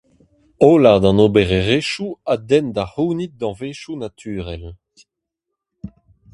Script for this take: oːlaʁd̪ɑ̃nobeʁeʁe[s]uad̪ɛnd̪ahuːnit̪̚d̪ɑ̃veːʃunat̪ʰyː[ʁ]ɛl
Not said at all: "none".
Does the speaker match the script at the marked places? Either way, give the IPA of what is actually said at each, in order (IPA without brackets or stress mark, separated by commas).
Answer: ʃ, ʁ